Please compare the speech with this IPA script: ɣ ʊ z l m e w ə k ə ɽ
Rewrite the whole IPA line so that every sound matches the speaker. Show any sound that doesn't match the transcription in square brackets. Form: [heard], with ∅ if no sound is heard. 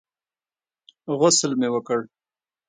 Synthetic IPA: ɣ ʊ [s] l m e w ə k ə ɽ